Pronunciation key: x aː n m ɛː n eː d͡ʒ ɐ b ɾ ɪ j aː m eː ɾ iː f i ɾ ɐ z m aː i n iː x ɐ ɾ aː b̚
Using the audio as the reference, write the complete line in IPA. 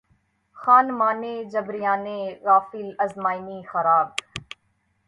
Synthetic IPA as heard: x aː n m aː n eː d͡ʒ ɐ b ɾ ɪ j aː n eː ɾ aː f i l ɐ z m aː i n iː x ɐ ɾ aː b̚